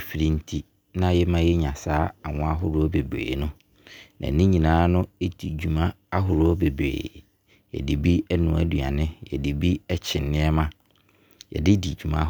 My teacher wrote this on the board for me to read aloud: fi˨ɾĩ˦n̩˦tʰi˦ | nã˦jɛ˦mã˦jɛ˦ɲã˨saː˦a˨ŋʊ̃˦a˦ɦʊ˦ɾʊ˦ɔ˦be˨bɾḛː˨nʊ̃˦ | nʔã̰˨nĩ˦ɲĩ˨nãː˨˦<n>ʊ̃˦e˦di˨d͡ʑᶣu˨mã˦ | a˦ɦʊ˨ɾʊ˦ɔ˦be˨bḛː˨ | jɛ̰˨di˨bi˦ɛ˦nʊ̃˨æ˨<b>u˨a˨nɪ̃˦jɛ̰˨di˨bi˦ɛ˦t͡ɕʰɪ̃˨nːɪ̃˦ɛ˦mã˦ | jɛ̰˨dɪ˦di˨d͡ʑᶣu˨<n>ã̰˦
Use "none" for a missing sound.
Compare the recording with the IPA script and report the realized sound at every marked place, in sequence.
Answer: n, d, m

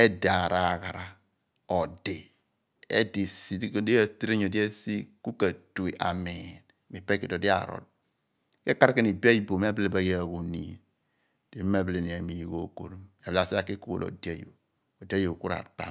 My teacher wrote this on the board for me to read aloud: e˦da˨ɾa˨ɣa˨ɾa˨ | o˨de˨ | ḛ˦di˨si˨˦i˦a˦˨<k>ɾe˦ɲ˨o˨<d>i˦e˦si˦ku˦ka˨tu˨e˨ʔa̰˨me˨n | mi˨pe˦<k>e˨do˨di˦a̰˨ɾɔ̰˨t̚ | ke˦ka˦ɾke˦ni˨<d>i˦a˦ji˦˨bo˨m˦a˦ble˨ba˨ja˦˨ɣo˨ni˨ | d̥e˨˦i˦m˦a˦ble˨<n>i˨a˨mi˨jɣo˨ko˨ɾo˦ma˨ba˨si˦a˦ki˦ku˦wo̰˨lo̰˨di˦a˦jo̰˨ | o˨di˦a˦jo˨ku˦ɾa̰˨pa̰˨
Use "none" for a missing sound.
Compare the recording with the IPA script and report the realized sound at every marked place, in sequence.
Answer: t, d, k, b, n

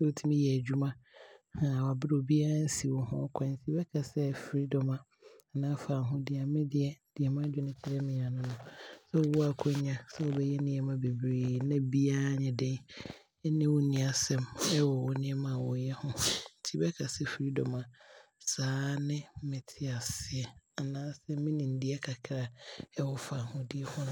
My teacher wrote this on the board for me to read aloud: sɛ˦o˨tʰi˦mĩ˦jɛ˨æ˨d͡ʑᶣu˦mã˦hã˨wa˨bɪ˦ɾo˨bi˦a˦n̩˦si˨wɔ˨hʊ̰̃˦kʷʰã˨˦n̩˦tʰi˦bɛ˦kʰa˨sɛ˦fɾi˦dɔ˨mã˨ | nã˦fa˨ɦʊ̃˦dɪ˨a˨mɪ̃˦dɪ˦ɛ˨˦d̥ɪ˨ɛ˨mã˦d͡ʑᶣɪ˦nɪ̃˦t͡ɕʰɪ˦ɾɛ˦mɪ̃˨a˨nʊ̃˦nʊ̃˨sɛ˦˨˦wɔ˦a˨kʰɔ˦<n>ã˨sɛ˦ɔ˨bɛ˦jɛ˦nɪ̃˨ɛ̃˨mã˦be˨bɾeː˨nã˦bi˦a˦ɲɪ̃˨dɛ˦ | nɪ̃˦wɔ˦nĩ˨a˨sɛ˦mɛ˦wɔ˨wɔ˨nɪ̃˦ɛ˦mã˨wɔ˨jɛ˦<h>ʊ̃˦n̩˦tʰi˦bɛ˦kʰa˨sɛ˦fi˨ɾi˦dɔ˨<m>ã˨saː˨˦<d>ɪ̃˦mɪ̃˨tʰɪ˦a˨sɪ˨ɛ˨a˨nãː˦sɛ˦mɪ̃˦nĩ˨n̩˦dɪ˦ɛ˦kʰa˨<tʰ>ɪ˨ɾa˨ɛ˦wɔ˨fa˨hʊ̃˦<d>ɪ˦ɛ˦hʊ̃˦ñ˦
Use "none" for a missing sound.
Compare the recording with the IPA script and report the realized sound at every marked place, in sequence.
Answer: ɲ, h, m, n, kʰ, d

